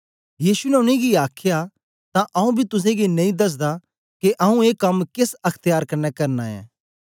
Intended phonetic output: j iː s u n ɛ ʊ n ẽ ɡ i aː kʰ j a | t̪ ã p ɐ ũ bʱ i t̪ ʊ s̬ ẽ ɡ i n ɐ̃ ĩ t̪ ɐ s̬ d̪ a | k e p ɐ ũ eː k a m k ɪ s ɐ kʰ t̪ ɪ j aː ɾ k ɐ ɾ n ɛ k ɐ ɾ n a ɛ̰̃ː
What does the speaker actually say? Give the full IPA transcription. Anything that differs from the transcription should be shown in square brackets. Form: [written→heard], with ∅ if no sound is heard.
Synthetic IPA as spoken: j iː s u n ɛ ʊ n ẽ ɡ i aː kʰ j a | t̪ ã [p→ʔ] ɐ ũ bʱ i t̪ ʊ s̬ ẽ ɡ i n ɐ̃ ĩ [t̪→d̪] ɐ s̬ d̪ a | k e [p→ʔ] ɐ ũ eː k [a→ɐ] m k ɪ s ɐ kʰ t̪ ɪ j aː ɾ k ɐ ɾ n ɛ k ɐ ɾ n a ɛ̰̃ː